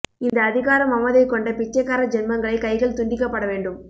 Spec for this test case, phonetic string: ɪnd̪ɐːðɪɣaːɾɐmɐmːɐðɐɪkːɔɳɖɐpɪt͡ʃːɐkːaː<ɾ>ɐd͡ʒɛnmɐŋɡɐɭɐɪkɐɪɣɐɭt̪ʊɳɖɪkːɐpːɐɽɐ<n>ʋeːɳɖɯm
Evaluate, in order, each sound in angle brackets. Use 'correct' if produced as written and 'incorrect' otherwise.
correct, incorrect: none

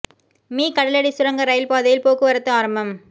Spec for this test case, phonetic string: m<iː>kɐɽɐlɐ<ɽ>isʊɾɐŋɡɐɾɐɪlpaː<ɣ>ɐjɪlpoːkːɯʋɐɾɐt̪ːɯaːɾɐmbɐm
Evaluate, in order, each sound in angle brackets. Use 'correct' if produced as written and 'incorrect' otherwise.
correct, correct, incorrect: ð

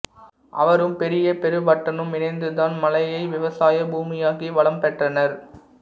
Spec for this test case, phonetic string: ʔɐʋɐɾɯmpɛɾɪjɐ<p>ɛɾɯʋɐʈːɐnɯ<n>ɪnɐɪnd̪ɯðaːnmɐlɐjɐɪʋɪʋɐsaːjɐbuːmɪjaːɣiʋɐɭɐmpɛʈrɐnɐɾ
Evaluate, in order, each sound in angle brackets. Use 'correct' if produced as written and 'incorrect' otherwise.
correct, incorrect: m

